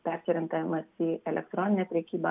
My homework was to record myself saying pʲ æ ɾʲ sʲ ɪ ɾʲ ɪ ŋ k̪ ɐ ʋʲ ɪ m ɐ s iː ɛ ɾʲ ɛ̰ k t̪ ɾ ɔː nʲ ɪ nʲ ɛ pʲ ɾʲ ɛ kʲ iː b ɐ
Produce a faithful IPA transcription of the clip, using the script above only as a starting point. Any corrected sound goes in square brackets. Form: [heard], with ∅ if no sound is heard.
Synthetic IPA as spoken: pʲ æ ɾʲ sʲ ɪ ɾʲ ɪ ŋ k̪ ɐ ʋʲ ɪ m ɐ s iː ɛ [lʲ] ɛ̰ k t̪ ɾ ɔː nʲ ɪ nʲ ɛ pʲ ɾʲ ɛ kʲ iː b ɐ